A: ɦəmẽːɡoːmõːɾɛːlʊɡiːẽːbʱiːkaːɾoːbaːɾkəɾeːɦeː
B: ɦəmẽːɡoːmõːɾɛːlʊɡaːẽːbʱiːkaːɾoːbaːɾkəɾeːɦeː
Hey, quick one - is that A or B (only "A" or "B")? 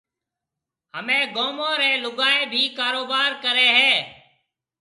B